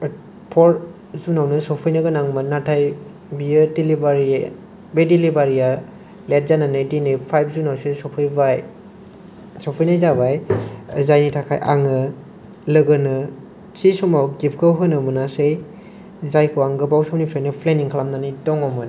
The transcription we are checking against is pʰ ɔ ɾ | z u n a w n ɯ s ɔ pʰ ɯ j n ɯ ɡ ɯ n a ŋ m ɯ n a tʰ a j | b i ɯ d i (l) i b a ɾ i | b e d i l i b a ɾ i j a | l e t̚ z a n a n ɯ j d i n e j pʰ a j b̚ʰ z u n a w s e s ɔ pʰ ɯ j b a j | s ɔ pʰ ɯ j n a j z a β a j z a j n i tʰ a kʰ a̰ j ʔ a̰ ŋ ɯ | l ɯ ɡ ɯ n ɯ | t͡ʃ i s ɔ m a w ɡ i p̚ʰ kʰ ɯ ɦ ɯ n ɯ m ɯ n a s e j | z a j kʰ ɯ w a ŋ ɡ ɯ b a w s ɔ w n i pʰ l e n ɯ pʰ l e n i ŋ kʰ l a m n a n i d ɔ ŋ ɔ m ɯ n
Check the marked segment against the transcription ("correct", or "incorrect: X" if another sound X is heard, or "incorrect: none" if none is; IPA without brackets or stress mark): correct